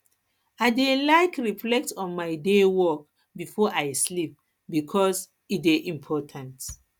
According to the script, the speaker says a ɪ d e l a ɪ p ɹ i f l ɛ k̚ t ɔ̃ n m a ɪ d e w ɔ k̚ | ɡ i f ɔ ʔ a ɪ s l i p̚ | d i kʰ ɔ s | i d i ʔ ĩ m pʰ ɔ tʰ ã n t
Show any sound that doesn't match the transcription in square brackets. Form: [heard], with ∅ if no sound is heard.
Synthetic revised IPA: a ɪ d e l a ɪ [k] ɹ i f l ɛ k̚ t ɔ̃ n m a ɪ d e w ɔ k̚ | [b] i f ɔ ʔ a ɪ s l i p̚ | [b] i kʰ ɔ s | i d [e] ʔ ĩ m pʰ ɔ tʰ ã n t